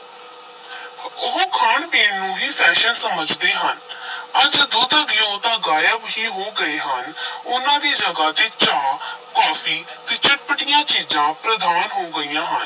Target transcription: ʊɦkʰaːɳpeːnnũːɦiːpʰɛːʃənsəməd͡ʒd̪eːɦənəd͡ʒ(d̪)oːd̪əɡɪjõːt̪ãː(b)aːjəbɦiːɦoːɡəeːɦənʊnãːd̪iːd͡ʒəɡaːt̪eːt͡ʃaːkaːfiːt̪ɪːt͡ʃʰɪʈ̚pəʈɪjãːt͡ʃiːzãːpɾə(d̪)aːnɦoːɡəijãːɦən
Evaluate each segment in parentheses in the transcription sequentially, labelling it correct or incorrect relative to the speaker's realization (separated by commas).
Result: correct, incorrect, correct